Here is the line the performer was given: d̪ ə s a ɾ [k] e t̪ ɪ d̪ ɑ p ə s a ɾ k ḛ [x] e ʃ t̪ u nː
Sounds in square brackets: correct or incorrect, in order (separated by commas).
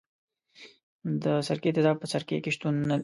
correct, incorrect